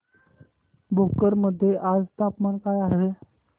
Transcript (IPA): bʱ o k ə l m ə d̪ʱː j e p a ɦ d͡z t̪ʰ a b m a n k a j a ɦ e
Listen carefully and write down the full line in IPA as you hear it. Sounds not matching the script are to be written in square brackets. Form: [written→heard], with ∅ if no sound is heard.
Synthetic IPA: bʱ o k ə [l→ɾ] m ə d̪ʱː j e [p→ʔ] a [ɦ→∅] d͡z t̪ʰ a [b→p] m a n k a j a ɦ e